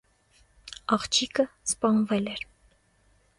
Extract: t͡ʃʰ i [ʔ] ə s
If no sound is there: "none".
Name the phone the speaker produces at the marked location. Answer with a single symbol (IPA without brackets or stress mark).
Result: k